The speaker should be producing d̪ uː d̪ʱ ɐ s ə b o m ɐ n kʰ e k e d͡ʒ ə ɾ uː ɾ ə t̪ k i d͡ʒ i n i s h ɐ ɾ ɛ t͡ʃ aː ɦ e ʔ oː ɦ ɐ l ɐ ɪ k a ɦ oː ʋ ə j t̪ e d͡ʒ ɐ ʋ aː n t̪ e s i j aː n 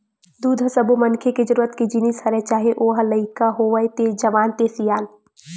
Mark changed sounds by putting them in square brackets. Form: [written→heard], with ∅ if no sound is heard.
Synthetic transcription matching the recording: d̪ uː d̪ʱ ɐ s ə b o m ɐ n kʰ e k e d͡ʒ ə ɾ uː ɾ ə t̪ k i d͡ʒ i n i s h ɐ ɾ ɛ t͡ʃ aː ɦ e ʔ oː ɦ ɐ l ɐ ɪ k a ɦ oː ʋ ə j t̪ e d͡ʒ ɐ ʋ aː n t̪ e s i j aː n